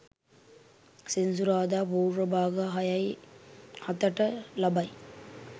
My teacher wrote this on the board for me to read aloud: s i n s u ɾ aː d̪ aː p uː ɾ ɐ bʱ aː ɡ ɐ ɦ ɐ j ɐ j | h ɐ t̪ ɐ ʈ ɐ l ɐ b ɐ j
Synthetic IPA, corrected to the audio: s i n s u ɾ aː d̪ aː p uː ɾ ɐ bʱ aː ɡ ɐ ɦ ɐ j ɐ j | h ɐ t̪ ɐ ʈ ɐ l ɐ b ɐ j